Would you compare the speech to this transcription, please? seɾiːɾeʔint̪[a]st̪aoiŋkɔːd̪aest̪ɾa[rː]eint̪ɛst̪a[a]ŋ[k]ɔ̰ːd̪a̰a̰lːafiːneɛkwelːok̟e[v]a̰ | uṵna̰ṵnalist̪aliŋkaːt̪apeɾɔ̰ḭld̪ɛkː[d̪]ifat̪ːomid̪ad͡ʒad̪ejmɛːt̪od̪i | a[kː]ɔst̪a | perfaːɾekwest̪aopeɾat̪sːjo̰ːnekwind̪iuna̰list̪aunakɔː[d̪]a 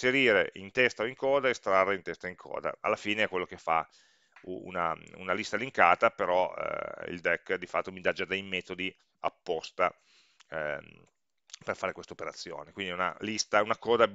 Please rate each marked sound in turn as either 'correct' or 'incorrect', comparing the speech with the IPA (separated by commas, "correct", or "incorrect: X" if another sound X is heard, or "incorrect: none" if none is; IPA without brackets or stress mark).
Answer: incorrect: ɛ, correct, incorrect: i, incorrect: kʰ, incorrect: f, correct, incorrect: pː, correct